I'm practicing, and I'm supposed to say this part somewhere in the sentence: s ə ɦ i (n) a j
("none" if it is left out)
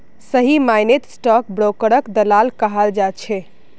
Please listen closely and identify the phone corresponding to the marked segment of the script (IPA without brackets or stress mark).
m